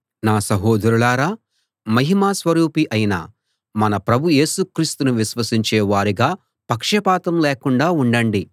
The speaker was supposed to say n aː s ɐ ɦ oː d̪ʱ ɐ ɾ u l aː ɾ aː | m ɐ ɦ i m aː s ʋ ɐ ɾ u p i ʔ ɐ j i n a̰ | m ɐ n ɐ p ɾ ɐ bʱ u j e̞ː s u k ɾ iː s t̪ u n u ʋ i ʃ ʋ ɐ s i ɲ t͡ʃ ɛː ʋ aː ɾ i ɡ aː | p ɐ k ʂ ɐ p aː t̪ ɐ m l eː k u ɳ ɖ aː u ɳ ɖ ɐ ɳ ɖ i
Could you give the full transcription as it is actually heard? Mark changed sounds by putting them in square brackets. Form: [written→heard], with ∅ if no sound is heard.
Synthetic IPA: n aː s ɐ ɦ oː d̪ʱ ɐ ɾ u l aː ɾ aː | m ɐ ɦ i m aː s ʋ ɐ ɾ [u→uː] p i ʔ ɐ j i n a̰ | m ɐ n ɐ p ɾ ɐ bʱ u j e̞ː s u k ɾ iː s t̪ u n u ʋ i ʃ ʋ ɐ s i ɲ t͡ʃ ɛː ʋ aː ɾ i ɡ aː | p ɐ k ʂ ɐ p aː t̪ ɐ m l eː k u ɳ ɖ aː u ɳ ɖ ɐ ɳ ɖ i